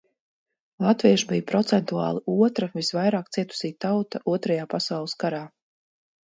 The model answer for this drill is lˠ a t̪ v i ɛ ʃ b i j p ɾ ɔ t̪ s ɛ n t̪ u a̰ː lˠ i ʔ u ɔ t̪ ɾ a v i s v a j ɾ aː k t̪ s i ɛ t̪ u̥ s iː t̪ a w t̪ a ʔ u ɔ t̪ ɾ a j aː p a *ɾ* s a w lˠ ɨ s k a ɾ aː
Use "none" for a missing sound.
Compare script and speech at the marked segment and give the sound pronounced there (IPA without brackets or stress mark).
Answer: none